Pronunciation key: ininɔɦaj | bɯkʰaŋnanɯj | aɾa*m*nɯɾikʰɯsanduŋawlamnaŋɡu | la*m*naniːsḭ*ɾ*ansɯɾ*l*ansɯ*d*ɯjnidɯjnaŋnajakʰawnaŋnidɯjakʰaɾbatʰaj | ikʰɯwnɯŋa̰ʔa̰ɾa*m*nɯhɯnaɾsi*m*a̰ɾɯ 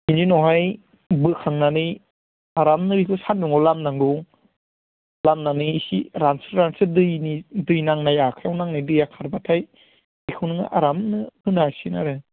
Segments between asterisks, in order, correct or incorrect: correct, correct, correct, incorrect, correct, correct, incorrect

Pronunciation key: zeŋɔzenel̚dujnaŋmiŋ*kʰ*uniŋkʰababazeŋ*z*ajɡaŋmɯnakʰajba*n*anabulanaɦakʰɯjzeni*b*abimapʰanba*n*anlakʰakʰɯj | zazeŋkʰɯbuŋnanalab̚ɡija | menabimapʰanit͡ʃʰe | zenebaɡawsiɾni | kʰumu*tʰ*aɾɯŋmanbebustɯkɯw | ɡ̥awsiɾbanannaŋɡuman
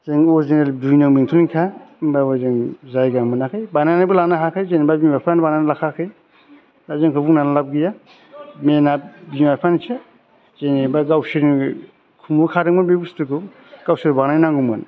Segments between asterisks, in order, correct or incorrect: incorrect, correct, correct, correct, correct, incorrect

